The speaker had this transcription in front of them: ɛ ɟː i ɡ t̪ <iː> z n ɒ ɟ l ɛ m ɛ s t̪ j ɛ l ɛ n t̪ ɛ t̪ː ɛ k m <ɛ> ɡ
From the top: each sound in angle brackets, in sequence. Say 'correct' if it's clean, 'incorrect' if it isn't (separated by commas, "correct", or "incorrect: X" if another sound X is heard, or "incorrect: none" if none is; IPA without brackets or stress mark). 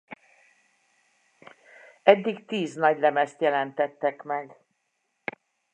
correct, correct